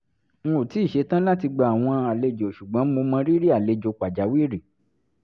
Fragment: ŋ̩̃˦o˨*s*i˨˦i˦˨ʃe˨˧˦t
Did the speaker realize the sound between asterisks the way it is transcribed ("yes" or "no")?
no